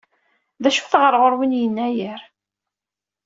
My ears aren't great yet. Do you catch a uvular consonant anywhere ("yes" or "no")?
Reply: yes